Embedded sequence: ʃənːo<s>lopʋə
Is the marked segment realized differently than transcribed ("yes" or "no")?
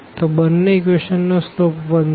no